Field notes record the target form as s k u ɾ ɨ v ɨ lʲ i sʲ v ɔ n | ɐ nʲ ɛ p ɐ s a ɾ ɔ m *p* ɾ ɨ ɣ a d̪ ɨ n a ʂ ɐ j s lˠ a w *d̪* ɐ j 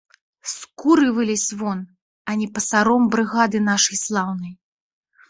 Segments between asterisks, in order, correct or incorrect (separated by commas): incorrect, incorrect